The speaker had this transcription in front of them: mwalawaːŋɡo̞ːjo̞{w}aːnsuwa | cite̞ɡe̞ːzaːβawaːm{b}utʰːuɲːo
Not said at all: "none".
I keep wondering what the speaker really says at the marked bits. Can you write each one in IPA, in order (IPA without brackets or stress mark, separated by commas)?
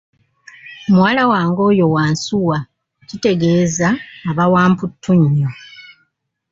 w, p